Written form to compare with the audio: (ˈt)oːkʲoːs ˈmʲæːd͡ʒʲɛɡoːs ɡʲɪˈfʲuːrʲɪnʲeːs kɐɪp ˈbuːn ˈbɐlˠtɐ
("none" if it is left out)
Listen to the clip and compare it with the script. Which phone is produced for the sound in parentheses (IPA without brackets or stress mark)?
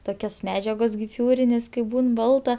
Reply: t